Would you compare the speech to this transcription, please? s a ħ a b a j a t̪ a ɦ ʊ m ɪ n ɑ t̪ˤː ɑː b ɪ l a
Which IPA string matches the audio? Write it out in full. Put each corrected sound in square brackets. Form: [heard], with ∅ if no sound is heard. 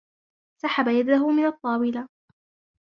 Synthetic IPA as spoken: s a ħ a b a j a [d̪] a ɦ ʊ m ɪ n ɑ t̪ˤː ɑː [w] ɪ l a